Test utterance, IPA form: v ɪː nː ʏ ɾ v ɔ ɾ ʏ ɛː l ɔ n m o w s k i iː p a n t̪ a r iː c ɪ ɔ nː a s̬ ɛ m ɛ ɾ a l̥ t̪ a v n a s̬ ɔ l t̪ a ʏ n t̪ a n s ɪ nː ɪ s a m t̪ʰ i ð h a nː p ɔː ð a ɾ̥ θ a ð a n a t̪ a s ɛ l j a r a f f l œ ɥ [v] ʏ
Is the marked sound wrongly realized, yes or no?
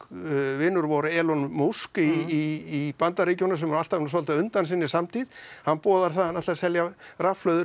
yes